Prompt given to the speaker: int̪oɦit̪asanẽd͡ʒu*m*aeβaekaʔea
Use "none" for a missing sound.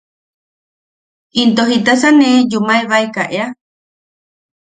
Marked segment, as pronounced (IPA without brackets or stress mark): m